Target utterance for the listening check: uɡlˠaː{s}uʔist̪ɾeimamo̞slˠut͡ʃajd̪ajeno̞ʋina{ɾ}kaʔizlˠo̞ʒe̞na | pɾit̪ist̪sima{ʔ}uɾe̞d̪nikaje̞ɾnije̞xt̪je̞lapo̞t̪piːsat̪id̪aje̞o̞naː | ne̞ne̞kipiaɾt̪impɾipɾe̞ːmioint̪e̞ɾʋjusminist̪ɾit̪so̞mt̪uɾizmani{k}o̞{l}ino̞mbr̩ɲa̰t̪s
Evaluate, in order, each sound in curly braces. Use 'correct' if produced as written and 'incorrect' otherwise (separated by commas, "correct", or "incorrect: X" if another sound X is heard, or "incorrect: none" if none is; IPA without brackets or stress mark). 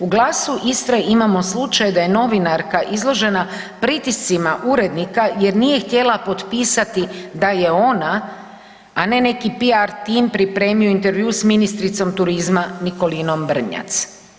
correct, correct, correct, correct, correct